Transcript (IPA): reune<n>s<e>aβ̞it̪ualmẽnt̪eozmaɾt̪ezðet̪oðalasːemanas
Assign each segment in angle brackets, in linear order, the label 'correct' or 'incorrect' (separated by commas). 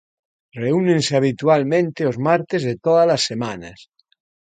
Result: correct, correct